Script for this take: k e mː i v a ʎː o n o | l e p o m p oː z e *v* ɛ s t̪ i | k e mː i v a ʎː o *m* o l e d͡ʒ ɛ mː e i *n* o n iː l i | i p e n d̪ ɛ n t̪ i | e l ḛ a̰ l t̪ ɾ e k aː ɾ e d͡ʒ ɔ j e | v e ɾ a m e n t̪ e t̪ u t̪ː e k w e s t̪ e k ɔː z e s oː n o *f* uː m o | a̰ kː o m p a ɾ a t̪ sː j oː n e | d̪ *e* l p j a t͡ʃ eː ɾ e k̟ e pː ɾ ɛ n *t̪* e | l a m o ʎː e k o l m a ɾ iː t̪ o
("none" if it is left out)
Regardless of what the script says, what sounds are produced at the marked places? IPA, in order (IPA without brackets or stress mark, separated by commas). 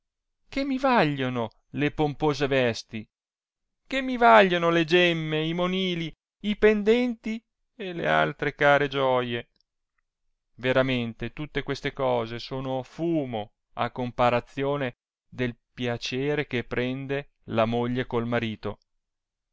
v, n, m, f, e, d̪